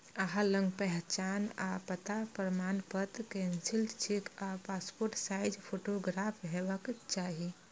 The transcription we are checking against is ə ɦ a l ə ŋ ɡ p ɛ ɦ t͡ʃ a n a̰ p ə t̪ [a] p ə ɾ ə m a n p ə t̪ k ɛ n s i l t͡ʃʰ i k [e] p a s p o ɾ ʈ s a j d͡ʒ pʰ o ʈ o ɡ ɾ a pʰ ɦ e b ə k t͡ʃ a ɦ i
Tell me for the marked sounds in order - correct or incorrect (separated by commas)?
correct, incorrect